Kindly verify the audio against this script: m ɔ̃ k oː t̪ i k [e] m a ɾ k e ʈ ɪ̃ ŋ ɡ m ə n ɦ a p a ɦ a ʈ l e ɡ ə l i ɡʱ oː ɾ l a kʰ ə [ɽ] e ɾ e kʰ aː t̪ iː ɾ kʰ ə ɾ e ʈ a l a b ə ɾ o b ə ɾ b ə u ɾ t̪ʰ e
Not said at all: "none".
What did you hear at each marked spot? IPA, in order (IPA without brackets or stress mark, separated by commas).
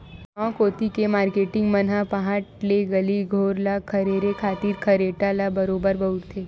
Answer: e, ɾ